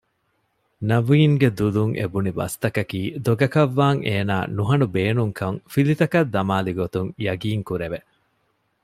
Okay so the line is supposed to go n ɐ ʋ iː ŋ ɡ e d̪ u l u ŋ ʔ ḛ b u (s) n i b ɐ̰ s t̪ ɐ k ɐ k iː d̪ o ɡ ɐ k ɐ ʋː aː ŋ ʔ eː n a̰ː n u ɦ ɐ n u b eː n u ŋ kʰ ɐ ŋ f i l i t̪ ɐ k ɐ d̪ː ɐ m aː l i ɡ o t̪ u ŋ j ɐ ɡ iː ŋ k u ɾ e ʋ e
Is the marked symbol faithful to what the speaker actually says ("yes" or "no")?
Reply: no